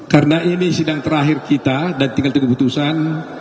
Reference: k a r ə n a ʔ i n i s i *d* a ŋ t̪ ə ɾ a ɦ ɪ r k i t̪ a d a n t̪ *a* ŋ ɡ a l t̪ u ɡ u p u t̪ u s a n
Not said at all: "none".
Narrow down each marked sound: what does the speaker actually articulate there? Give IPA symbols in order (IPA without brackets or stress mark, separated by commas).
d, i